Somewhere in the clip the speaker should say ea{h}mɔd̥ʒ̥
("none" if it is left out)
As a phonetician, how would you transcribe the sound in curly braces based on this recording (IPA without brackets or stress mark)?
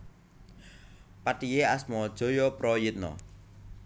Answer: s